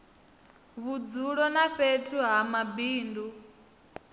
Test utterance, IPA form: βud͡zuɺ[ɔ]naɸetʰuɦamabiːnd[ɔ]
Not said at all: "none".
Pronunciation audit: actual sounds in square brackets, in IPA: ɔ, u

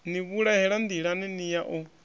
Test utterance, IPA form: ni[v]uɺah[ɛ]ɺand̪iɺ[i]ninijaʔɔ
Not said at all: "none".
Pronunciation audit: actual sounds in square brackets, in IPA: β, ɛ, a

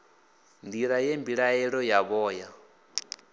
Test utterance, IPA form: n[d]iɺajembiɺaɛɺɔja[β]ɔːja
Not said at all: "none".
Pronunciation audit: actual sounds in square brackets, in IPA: d, β

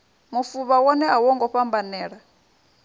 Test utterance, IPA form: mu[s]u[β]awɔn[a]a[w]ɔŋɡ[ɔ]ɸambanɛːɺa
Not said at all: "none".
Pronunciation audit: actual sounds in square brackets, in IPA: f, β, ɛ, w, ɔ

